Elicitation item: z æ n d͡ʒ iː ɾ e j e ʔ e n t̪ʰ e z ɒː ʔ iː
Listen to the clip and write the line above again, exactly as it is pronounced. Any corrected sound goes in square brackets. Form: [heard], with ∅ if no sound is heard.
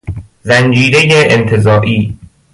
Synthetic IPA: z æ n d͡ʒ iː ɾ e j e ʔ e n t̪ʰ e z ɒː ʔ iː